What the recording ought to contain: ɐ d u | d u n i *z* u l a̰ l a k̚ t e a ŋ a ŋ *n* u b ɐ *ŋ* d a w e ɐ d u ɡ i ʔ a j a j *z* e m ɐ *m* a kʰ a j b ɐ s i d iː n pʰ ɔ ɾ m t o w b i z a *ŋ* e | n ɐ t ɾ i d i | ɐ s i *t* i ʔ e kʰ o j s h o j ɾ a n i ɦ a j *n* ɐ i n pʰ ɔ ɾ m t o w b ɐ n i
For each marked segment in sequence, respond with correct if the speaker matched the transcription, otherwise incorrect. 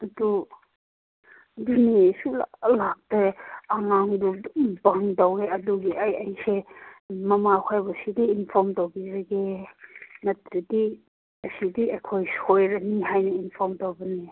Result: incorrect, incorrect, correct, incorrect, correct, incorrect, incorrect, correct

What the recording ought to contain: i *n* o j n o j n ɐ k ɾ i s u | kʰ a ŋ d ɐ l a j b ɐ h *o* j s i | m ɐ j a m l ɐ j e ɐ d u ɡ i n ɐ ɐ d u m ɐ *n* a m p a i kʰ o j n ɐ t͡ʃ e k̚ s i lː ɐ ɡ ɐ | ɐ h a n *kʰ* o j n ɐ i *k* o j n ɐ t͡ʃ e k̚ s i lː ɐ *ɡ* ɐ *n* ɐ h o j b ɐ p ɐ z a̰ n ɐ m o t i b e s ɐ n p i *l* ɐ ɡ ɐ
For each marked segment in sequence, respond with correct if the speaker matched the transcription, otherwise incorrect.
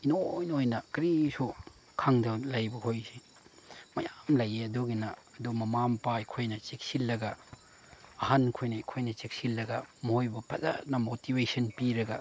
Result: correct, correct, incorrect, correct, incorrect, correct, incorrect, incorrect

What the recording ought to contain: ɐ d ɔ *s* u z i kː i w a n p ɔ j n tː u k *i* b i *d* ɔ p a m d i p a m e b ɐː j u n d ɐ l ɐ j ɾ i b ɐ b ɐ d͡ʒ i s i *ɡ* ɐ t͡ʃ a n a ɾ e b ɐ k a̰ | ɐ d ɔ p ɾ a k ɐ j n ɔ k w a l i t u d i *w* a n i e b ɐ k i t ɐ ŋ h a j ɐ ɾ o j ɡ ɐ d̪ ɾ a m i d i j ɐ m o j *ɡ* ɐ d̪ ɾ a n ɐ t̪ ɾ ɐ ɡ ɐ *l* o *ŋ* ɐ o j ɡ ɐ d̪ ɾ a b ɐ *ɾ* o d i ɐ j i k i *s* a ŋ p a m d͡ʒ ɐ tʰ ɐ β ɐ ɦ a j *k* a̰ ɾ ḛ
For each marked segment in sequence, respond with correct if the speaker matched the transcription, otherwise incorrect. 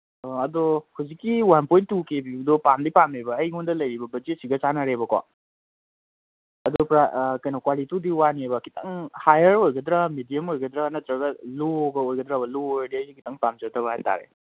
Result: incorrect, incorrect, correct, correct, correct, correct, correct, incorrect, incorrect, incorrect, incorrect

